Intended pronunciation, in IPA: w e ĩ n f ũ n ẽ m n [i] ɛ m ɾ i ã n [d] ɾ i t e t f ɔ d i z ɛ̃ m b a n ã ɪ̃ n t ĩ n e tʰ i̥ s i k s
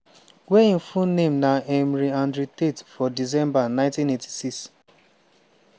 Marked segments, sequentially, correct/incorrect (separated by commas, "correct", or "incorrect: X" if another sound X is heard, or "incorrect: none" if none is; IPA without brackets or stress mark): incorrect: a, correct